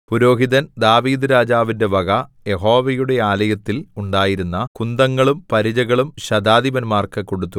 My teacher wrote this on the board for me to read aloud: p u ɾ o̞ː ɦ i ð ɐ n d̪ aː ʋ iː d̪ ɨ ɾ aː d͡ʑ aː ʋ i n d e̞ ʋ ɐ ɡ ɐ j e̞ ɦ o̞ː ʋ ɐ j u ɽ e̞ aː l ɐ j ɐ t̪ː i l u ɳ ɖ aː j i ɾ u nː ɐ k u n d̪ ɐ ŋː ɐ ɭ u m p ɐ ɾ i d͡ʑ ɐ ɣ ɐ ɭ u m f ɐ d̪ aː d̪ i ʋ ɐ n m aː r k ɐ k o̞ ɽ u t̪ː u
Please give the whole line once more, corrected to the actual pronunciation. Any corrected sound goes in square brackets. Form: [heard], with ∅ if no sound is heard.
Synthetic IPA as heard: p u ɾ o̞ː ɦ i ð ɐ n d̪ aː ʋ iː d̪ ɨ ɾ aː d͡ʑ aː ʋ i n d e̞ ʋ ɐ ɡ ɐ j e̞ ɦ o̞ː ʋ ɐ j u ɽ e̞ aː l ɐ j ɐ t̪ː i l u ɳ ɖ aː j i ɾ u nː ɐ k u n d̪ ɐ ŋː ɐ ɭ u m p ɐ ɾ i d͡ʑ ɐ ɣ ɐ ɭ u m [ɕ] ɐ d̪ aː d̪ i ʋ ɐ n m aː r k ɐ k o̞ ɽ u t̪ː u

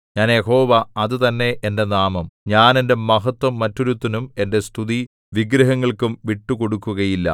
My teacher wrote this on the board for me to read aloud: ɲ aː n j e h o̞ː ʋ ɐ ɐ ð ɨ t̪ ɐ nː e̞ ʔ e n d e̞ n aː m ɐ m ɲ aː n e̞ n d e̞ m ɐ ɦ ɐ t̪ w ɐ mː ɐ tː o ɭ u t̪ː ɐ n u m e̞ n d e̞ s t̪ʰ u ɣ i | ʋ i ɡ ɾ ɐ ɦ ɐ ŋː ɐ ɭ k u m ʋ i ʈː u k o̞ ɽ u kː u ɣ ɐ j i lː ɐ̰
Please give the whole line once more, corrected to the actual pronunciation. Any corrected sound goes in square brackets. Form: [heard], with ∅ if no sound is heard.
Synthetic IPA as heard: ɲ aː n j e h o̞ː ʋ ɐ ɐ ð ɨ t̪ ɐ nː e̞ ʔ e n d e̞ n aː m ɐ m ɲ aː n e̞ n d e̞ m ɐ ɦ ɐ t̪ w ɐ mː ɐ tː o [ɾ] u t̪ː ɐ n u m e̞ n d e̞ s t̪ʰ u [ð] i | ʋ i ɡ ɾ ɐ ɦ ɐ ŋː ɐ ɭ k u m ʋ i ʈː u k o̞ ɽ u kː u ɣ ɐ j i lː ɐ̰

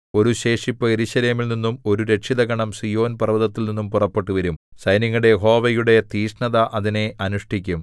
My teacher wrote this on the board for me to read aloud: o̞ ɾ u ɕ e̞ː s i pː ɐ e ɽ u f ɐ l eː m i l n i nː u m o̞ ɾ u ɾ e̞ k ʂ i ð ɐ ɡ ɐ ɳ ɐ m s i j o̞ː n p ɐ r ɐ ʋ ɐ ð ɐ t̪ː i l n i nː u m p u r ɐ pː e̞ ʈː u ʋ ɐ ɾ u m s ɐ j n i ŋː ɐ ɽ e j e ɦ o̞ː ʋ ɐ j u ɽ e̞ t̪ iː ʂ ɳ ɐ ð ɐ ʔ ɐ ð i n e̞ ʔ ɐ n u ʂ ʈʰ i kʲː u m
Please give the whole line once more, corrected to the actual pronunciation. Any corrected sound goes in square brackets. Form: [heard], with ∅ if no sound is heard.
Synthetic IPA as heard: o̞ ɾ u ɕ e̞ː [ʂ] i pː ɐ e [ɾ] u [ɕ] ɐ l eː m i l n i nː u m o̞ ɾ u ɾ e̞ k ʂ i ð ɐ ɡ ɐ ɳ ɐ m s i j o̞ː n p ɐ r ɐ ʋ ɐ ð ɐ t̪ː i l n i nː u m p u r ɐ pː e̞ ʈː u ʋ ɐ ɾ u m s ɐ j n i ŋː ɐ ɽ e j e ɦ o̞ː ʋ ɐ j u ɽ e̞ t̪ iː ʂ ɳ ɐ ð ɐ ʔ ɐ ð i n e̞ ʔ ɐ n u ʂ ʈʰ i kʲː u m

